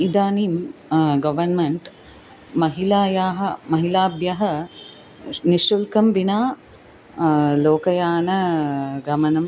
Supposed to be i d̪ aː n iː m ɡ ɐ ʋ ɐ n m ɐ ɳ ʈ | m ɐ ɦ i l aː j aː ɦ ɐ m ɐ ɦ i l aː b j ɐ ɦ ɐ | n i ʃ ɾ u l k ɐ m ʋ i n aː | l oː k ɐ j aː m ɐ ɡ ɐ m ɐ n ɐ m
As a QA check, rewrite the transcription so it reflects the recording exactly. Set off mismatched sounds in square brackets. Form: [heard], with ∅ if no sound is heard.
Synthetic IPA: i d̪ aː n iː m ɡ ɐ ʋ ɐ n m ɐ ɳ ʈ | m ɐ ɦ i l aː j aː ɦ ɐ m ɐ ɦ i l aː b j ɐ ɦ ɐ | n i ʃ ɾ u l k ɐ m ʋ i n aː | l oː k ɐ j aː [n] ɐ ɡ ɐ m ɐ n ɐ m